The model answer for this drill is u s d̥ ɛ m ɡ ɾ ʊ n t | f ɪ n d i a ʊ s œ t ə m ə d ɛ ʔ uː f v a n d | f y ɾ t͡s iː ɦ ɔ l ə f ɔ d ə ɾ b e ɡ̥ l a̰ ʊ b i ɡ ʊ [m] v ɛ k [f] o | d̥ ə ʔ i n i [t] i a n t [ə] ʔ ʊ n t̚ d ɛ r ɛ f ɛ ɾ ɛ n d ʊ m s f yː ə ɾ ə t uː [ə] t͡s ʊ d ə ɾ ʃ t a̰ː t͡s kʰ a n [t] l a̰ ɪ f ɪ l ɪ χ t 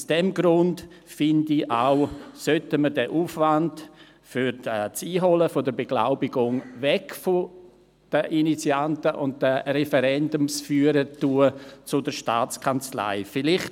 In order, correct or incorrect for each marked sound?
incorrect, correct, incorrect, correct, correct, incorrect

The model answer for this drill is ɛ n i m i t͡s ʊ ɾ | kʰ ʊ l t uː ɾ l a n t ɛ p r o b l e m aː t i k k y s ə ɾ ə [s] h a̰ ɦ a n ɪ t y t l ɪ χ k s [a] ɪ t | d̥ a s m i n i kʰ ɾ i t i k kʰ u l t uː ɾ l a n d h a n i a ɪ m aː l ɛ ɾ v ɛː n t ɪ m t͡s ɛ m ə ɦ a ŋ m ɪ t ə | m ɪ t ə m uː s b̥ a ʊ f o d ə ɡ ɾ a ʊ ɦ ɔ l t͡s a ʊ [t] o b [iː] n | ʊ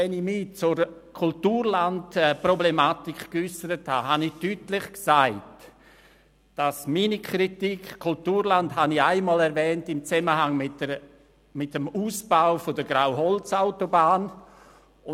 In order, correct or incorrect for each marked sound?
incorrect, correct, correct, incorrect

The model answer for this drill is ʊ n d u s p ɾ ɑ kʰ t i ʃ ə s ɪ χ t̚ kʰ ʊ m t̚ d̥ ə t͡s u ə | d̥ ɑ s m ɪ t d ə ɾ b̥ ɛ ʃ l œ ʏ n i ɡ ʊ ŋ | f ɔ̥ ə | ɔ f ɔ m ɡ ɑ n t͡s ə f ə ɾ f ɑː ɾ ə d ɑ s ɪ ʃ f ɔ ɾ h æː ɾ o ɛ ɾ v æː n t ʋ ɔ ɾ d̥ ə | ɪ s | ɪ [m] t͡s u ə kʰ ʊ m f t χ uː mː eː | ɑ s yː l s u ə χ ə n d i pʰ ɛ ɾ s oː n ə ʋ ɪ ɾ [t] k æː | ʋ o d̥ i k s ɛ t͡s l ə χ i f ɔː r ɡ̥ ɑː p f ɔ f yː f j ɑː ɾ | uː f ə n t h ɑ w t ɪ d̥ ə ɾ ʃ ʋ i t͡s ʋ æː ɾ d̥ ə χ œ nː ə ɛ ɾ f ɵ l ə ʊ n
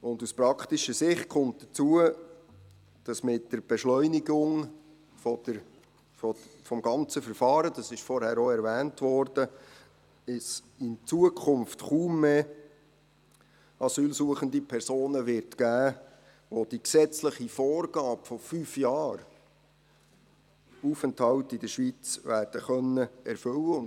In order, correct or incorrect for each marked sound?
incorrect, correct

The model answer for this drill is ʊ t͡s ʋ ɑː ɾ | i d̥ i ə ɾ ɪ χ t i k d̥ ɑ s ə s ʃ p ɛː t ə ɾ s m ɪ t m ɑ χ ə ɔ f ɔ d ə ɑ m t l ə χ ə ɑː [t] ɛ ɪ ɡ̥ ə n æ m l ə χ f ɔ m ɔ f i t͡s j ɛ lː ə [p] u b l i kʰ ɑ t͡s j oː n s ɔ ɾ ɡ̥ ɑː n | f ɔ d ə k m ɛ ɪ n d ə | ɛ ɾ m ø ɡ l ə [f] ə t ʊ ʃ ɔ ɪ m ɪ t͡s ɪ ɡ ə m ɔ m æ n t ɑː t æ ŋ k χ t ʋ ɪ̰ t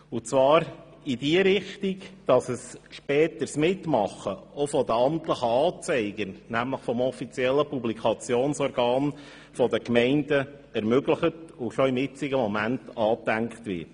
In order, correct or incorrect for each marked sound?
incorrect, correct, incorrect

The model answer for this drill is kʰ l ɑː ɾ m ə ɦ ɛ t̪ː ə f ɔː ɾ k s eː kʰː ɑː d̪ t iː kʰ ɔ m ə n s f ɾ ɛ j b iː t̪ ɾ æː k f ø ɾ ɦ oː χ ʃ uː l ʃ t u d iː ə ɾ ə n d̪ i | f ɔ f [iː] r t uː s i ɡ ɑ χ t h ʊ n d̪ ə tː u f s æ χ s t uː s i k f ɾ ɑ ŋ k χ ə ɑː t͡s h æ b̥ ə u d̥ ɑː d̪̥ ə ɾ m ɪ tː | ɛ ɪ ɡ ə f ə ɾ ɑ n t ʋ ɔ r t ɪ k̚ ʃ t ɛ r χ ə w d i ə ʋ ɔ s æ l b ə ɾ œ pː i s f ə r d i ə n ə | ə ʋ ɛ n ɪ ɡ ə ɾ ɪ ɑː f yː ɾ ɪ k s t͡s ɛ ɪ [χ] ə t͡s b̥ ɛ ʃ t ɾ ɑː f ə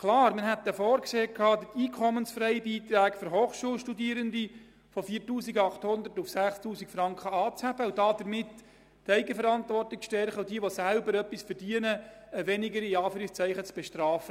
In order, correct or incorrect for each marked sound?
correct, correct

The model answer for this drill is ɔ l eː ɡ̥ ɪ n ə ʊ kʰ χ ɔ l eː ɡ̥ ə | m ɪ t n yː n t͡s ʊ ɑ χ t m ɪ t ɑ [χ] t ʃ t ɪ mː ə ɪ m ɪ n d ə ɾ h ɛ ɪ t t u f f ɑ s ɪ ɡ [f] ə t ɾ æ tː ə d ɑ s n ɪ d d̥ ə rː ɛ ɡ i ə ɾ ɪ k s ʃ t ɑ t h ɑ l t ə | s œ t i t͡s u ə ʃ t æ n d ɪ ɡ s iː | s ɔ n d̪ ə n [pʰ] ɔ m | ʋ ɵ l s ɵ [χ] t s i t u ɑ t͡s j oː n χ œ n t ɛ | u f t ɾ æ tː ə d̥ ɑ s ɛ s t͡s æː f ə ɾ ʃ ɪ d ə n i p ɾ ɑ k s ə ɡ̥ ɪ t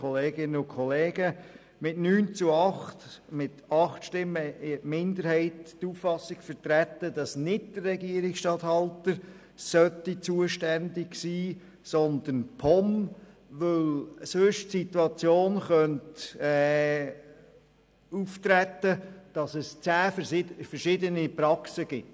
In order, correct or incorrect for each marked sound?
correct, correct, correct, incorrect

